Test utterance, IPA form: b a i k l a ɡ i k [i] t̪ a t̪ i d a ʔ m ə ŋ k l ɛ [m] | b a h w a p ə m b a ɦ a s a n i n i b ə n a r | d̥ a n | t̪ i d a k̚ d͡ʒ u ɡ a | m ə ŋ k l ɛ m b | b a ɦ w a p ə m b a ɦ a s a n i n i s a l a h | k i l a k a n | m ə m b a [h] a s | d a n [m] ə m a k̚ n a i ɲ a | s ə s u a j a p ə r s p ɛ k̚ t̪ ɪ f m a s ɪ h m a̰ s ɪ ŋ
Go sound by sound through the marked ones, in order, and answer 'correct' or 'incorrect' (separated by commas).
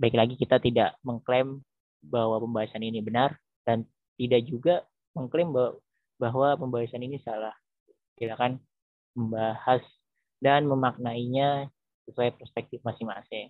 correct, correct, correct, correct